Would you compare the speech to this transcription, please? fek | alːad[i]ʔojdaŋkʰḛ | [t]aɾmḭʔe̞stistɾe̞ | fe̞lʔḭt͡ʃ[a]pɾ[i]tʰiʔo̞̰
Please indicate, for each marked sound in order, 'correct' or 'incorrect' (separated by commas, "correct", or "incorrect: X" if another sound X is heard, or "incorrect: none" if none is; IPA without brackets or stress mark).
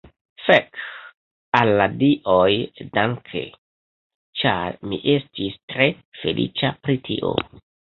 correct, incorrect: t͡ʃ, correct, correct